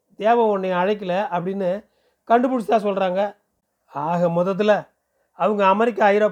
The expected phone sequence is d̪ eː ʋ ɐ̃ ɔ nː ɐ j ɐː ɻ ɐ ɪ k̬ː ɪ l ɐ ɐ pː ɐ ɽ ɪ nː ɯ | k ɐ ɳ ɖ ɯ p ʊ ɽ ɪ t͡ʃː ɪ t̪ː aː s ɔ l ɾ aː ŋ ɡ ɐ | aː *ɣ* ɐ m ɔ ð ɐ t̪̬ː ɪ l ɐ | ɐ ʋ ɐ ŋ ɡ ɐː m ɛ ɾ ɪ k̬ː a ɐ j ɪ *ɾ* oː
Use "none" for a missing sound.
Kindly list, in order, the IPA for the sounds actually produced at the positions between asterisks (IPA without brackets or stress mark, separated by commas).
ɣ, ɾ